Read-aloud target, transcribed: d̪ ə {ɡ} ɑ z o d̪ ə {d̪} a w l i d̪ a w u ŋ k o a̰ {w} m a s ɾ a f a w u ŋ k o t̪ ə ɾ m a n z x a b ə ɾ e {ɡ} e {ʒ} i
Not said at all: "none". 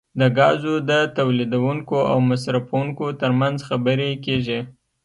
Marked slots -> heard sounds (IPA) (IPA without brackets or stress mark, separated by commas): ɡ, t̪, w, k, ʒ